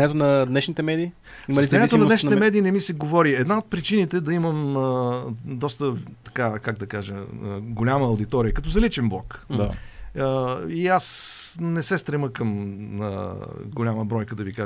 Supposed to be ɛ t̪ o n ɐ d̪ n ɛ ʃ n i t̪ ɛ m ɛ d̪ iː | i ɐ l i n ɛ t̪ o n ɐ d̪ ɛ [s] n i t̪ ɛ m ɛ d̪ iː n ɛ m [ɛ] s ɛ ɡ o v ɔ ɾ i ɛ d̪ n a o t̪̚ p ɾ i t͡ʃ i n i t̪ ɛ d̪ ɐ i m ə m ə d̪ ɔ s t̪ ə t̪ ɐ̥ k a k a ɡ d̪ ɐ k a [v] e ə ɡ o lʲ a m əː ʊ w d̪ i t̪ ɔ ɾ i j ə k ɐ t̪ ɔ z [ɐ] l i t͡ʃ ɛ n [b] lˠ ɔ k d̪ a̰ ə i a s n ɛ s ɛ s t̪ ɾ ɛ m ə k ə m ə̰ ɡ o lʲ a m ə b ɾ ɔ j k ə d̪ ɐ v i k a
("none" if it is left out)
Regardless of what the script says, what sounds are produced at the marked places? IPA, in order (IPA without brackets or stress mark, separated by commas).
ʃ, i, ʒ, ɐ, b